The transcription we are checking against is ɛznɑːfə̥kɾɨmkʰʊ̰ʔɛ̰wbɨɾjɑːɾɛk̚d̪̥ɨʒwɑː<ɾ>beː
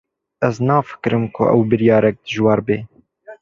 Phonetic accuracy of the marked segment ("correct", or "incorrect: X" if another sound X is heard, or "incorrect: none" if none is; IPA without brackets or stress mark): correct